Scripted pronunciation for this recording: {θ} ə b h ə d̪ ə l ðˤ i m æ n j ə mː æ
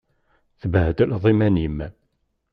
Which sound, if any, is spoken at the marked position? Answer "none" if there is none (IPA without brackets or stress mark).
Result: θ